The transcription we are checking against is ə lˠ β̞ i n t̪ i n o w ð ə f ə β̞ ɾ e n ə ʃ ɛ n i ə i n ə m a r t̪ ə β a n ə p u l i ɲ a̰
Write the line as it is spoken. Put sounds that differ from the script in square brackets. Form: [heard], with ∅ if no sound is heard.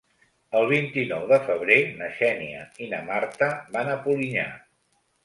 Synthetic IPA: ə lˠ β̞ i n t̪ i n [ɔ] w ð ə f ə β̞ ɾ e n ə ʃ ɛ n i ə i n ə m a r t̪ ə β a n ə p u l i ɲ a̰